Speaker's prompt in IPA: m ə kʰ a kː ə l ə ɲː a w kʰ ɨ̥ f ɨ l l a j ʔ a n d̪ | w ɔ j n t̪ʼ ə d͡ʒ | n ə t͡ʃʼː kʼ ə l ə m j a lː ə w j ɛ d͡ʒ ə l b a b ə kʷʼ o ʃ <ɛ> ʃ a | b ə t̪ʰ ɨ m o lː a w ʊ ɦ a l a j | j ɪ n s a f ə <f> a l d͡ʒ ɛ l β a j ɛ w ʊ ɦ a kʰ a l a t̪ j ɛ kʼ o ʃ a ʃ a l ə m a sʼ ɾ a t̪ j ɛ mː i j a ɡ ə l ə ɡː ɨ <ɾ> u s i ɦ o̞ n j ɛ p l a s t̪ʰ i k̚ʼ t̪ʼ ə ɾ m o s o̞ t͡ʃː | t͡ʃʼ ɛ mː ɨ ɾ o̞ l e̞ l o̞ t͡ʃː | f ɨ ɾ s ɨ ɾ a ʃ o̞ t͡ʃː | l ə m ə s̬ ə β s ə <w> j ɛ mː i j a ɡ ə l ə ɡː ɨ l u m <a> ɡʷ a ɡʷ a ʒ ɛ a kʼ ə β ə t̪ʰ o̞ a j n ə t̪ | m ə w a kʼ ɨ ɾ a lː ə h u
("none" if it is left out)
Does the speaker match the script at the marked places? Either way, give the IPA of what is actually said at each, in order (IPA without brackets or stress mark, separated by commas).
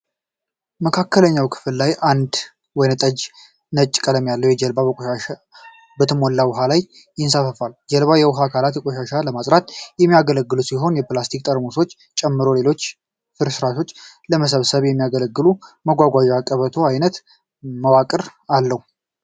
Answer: a, f, l, β, ə